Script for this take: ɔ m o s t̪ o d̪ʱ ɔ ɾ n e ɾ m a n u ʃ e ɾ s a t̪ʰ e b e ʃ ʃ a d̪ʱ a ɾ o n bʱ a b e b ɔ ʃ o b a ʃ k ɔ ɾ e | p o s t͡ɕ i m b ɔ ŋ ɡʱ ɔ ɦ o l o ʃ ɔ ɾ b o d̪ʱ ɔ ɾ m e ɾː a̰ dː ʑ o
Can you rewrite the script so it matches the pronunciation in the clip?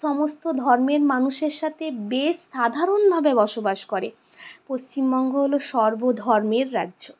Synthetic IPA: ɔ m o s t̪ o d̪ʱ ɔ ɾ m e ɾ m a n u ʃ e ɾ ʃ a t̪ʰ e b e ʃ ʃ a d̪ʱ a ɾ o n bʱ a b e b ɔ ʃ o b a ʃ k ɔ ɾ e | p o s t͡ɕ i m b ɔ ŋ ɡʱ o ɦ o l o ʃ ɔ ɾ b o d̪ʱ ɔ ɾ m e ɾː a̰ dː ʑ o